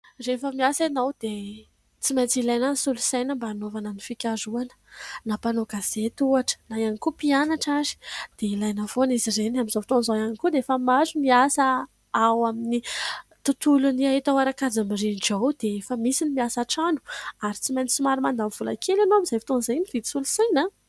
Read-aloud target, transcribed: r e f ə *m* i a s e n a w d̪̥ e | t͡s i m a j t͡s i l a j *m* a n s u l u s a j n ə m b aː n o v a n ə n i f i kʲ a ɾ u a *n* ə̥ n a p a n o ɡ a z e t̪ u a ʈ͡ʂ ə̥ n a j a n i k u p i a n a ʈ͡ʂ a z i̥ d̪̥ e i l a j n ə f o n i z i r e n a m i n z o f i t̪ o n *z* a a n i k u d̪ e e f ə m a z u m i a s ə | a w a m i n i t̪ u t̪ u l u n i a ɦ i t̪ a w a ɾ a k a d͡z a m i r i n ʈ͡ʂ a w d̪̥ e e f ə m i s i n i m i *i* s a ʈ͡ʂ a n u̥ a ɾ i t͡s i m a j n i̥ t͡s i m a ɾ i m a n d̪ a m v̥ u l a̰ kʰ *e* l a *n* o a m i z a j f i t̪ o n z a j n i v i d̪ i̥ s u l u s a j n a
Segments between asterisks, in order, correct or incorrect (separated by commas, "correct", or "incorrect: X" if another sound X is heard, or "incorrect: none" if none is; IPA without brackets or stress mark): correct, incorrect: n, correct, correct, incorrect: a, correct, correct